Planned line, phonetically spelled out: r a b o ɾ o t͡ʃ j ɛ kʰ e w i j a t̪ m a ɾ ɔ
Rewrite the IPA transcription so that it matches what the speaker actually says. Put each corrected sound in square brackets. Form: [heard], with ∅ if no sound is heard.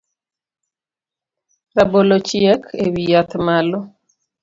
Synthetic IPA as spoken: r a b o [l] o t͡ʃ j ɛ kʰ e w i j a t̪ m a [l] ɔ

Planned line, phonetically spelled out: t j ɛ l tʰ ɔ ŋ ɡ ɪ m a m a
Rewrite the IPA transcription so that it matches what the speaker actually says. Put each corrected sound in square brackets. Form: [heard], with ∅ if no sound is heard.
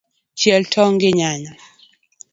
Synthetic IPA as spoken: [t͡ʃ] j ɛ l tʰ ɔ ŋ ɡ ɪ [ɲ] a [ɲ] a

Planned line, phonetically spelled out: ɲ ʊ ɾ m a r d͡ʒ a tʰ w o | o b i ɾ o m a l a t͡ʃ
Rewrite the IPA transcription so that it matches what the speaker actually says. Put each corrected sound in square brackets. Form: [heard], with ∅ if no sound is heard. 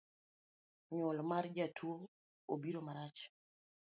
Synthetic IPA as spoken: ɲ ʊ [l] m a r d͡ʒ a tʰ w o | o b i ɾ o m a [ɾ] a t͡ʃ

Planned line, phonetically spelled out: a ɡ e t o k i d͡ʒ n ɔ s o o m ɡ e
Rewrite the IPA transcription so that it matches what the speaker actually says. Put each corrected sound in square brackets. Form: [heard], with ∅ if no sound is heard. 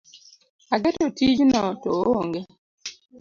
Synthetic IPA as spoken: a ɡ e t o [t] i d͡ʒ n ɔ [t] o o [ŋ] ɡ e

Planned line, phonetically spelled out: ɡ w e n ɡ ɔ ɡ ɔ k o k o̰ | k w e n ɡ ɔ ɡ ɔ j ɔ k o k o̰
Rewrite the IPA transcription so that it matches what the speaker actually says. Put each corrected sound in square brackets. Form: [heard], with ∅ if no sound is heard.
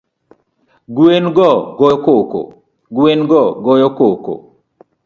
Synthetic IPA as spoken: ɡ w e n ɡ ɔ ɡ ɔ k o k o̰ | [ɡ] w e n ɡ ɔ ɡ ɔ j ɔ k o k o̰

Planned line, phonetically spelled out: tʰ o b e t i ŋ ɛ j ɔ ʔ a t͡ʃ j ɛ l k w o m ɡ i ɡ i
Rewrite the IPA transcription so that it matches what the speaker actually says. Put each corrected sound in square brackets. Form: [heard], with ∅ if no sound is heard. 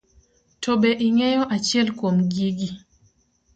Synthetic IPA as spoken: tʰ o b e [ʔ] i ŋ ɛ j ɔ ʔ a t͡ʃ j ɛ l k w o m ɡ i ɡ i

